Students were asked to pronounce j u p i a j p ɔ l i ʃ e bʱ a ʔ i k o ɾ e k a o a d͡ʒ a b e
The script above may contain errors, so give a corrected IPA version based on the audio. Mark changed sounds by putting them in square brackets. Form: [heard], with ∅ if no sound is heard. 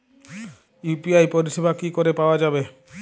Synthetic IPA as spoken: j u p i a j p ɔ [ɾ] i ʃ e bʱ a [k] i k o ɾ e [p] a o a d͡ʒ a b e